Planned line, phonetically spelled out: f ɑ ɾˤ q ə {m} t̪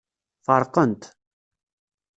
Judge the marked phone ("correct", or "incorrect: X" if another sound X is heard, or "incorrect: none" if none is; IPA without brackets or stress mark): incorrect: n